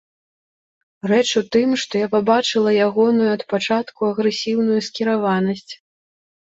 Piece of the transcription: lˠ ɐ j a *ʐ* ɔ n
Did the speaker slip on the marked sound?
yes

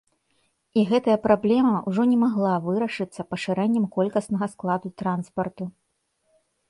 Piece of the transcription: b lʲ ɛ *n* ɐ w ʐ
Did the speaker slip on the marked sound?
yes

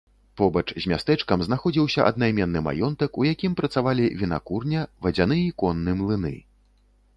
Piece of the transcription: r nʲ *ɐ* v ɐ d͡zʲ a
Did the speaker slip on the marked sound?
no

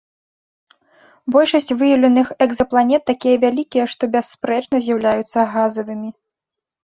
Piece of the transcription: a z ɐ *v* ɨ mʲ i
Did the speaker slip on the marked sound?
no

